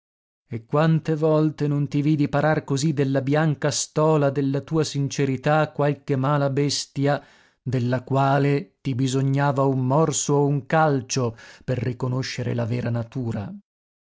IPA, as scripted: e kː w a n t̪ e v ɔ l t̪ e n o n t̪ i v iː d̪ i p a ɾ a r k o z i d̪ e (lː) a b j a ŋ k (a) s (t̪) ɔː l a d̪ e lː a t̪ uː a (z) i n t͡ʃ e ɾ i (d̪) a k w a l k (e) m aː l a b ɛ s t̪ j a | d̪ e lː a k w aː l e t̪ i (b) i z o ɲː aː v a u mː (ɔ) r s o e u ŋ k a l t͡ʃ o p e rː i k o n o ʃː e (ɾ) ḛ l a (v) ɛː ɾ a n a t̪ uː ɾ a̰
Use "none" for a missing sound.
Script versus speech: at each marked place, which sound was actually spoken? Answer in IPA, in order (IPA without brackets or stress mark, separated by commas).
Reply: lː, a, t̪, s, t̪, e, b, ɔ, ɾ, v